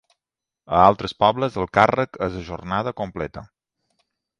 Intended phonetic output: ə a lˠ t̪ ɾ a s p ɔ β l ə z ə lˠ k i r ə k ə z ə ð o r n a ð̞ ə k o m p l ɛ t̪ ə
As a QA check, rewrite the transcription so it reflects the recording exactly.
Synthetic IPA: ə a lˠ t̪ ɾ ə s p ɔ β l ə z ə lˠ k a r ə k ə z ə ʒ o r n a ð̞ ə k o m p l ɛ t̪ ə